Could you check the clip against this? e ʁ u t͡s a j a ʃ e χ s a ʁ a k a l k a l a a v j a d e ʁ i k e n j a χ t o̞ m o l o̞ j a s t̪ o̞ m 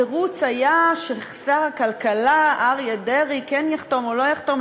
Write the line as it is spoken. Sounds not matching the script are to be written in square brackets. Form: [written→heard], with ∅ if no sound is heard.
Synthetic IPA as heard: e ʁ u t͡s a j a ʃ e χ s a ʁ a k a l k a l a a [v→ʁ] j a d e ʁ i k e n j a χ t o̞ m o l o̞ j a [s→χ] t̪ o̞ m

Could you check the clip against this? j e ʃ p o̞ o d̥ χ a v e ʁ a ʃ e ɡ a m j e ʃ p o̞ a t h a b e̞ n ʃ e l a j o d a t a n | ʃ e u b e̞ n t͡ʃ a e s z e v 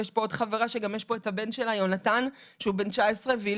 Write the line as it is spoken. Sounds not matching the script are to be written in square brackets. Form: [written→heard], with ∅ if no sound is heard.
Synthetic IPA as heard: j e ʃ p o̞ o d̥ χ a v e ʁ a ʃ e ɡ a m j e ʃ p o̞ [a→e] t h a b e̞ n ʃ e l a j o [d→n] a t a n | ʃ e u b e̞ n t͡ʃ a e s [z→ʁ] e v

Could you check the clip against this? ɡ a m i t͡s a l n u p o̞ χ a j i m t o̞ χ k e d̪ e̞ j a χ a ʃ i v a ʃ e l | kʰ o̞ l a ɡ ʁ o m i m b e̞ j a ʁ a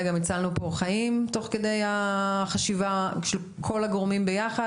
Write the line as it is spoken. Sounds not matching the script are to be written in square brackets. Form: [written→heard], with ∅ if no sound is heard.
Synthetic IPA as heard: ɡ a m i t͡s a l n u p o̞ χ a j i m t o̞ χ k e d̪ e̞ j a χ a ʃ i v a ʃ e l | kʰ o̞ l a ɡ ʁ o m i m b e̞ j a [ʁ→χ] a

